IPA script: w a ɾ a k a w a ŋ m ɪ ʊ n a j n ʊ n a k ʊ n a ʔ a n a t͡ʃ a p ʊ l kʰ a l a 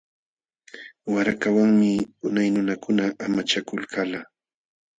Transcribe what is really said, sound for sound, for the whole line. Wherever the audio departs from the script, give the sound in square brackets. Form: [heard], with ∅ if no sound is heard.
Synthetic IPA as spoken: w a ɾ a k a w a ŋ m ɪ ʊ n a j n ʊ n a k ʊ n a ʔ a [m] a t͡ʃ a [k] ʊ l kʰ a l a